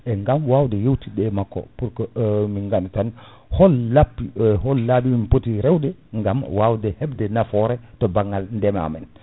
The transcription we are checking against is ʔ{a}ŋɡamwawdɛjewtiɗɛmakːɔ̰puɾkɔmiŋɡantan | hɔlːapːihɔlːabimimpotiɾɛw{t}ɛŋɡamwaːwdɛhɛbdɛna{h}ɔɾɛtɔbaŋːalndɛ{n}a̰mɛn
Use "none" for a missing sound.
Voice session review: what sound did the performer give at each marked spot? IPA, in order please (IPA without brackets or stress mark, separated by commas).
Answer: ɛ, d, f, m